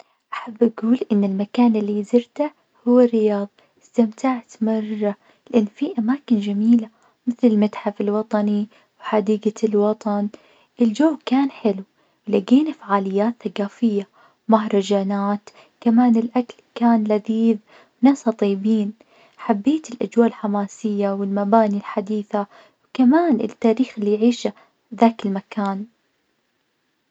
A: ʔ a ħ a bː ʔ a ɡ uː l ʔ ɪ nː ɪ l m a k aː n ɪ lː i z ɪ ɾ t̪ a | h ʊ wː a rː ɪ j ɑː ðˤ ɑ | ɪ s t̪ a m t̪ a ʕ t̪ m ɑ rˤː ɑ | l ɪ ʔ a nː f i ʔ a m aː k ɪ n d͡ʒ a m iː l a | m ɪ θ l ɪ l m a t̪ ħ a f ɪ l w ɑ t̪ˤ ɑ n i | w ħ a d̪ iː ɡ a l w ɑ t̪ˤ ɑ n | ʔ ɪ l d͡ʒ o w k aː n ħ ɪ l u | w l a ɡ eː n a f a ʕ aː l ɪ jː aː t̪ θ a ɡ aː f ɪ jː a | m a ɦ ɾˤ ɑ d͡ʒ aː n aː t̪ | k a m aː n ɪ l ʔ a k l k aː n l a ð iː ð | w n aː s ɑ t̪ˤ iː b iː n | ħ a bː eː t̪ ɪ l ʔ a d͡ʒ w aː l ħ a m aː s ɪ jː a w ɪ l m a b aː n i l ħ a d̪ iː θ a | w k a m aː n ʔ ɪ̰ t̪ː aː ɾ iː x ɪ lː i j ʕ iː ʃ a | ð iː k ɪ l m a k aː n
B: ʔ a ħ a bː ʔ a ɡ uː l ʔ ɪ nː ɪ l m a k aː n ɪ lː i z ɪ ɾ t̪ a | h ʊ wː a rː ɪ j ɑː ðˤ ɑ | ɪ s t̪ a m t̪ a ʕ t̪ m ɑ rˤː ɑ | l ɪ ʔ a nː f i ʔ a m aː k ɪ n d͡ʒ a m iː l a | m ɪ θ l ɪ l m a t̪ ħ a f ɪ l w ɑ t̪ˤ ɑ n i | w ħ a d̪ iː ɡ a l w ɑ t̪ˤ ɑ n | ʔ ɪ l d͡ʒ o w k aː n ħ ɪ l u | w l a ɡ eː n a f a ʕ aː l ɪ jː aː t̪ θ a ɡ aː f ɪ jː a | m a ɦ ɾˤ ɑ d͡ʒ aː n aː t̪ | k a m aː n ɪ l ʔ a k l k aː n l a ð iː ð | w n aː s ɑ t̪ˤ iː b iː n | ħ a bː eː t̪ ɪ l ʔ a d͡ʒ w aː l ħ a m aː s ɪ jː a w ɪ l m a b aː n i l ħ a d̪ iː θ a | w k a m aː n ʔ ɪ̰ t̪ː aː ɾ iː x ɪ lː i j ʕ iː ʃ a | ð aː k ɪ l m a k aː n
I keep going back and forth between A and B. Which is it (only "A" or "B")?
B